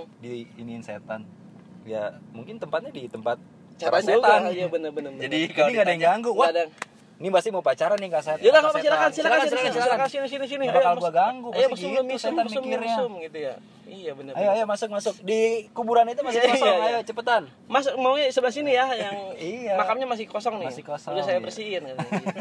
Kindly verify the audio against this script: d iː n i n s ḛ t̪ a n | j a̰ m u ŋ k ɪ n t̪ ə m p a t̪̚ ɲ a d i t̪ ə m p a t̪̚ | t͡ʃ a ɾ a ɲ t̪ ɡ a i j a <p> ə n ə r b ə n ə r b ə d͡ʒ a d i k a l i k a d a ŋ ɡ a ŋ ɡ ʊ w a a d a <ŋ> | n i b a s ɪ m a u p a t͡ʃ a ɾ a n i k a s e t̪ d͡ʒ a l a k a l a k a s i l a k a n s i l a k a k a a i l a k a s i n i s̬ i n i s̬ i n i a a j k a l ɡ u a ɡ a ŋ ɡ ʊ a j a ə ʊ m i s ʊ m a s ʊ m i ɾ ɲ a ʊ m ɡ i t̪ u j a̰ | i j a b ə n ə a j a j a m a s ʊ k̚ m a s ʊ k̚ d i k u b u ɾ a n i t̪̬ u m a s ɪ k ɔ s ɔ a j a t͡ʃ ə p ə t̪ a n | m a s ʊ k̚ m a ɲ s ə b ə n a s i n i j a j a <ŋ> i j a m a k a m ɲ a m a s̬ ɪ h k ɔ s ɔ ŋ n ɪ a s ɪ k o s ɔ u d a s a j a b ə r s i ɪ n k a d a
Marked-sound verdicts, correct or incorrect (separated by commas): incorrect, correct, correct